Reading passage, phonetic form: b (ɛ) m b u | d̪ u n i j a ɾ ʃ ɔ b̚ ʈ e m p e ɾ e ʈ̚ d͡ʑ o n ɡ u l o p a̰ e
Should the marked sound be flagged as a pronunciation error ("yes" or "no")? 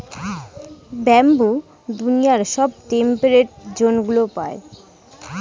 no